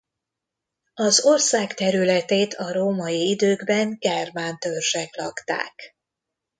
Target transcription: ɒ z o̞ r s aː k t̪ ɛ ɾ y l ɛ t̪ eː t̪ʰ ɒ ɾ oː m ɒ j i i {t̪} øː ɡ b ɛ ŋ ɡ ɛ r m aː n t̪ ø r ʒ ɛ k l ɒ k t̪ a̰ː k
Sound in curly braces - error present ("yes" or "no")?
yes